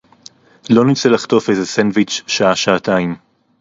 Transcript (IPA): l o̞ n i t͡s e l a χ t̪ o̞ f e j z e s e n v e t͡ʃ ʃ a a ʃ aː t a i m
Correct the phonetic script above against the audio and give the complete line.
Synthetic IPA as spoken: l o̞ n i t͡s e l a χ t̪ o̞ f e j z e s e n v i t͡ʃ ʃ a a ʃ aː t a i m